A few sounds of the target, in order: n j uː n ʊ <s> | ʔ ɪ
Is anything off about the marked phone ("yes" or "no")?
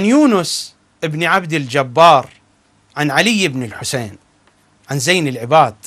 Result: no